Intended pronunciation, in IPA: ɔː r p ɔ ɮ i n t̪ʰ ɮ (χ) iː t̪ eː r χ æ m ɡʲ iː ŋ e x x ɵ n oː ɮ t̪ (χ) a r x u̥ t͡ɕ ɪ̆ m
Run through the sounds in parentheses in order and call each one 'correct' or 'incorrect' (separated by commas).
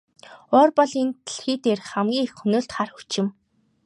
incorrect, correct